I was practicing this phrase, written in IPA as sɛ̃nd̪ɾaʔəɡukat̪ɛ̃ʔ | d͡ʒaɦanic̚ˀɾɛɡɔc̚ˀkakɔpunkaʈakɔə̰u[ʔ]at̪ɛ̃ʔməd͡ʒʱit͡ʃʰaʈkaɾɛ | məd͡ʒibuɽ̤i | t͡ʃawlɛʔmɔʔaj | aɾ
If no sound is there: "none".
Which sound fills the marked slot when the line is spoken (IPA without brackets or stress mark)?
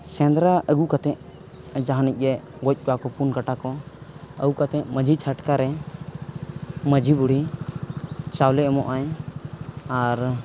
k